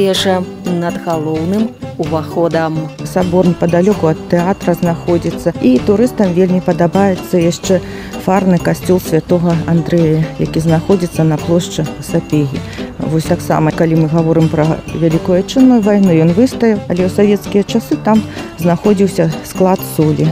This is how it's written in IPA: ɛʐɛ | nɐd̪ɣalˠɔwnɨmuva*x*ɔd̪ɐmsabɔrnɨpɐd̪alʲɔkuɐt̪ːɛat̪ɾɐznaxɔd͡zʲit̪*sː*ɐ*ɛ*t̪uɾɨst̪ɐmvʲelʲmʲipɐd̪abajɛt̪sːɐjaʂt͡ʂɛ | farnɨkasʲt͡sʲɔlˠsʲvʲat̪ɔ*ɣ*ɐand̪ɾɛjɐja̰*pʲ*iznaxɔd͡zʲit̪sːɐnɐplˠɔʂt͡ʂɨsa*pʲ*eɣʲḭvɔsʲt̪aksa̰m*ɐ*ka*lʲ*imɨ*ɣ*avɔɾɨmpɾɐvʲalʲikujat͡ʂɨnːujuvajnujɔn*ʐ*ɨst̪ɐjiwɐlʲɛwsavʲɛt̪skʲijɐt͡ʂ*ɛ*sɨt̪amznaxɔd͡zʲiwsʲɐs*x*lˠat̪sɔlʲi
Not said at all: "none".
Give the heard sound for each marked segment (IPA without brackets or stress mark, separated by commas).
x, sː, i, ɣ, kʲ, pʲ, ɐ, lʲ, ɣ, v, a, k